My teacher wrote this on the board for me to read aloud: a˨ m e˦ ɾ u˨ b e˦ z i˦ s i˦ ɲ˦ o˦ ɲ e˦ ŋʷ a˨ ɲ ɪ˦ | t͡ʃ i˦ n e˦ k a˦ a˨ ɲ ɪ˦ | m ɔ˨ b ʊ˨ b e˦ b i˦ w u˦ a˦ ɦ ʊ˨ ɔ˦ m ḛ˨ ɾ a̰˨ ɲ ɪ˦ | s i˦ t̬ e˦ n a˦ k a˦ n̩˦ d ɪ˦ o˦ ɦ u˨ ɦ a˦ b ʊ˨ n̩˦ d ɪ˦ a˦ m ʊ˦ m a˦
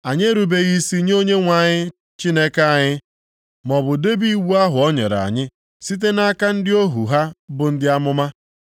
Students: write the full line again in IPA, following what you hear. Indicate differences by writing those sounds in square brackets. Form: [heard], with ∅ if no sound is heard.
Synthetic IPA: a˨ [ɲ] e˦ ɾ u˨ b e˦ [ɣ] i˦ s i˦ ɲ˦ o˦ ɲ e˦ ŋʷ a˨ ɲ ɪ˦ | t͡ʃ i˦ n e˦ k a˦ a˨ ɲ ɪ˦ | m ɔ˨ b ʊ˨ [d] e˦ b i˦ w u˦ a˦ ɦ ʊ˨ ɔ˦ [ɲ] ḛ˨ ɾ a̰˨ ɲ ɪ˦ | s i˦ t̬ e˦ n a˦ k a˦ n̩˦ d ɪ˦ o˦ ɦ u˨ ɦ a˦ b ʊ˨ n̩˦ d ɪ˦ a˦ m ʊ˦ m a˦